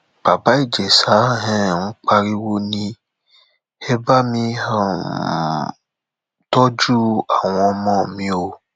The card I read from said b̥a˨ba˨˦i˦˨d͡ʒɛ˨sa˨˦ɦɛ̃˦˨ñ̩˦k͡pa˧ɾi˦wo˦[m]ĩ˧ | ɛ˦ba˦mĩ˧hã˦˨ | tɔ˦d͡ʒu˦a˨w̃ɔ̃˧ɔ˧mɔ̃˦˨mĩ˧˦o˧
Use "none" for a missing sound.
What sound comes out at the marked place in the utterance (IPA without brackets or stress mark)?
n